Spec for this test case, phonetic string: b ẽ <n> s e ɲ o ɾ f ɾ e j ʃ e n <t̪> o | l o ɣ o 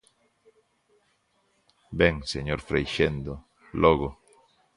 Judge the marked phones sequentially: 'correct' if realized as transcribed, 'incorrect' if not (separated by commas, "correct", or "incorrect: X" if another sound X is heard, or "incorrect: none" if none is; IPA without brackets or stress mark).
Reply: incorrect: ŋ, incorrect: d̪